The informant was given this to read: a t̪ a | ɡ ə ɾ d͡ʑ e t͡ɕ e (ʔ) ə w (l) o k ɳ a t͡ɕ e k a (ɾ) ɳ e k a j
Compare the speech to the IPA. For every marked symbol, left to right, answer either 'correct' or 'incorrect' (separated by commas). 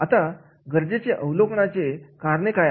correct, correct, correct